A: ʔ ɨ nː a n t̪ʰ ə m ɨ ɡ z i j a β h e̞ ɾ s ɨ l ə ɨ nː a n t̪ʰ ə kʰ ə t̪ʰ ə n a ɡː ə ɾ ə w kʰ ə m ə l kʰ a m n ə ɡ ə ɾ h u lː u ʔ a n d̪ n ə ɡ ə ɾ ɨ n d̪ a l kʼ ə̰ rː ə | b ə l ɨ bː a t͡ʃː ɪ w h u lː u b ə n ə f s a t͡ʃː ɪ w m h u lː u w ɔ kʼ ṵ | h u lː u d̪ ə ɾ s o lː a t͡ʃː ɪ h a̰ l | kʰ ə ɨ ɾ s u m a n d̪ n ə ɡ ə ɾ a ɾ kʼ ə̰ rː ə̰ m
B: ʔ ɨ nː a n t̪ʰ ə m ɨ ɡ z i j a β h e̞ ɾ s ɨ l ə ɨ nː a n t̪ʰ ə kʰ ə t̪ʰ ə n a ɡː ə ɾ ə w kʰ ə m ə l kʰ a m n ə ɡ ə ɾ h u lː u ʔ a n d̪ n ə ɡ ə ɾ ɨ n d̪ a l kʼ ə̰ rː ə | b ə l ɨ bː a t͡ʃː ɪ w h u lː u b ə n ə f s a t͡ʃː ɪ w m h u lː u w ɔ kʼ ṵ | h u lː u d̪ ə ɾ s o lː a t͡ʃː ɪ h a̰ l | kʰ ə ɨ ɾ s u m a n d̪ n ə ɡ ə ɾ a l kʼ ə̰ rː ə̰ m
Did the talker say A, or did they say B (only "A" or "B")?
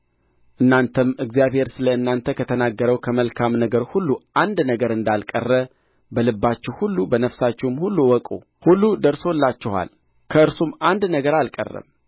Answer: B